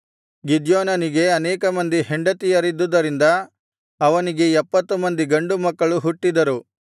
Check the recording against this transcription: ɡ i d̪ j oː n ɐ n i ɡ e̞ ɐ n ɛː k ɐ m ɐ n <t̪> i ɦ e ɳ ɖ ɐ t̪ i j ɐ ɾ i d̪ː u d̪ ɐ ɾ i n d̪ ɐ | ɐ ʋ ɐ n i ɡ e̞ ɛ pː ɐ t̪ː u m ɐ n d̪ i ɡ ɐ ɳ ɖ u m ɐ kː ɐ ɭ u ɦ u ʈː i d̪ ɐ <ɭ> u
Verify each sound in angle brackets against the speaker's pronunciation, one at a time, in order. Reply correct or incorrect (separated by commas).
incorrect, incorrect